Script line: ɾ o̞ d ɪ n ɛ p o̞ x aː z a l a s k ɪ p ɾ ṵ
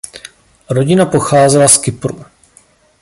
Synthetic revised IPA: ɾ o̞ ɟ ɪ n a p o̞ x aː z ɛ l a s k ɪ p ɾ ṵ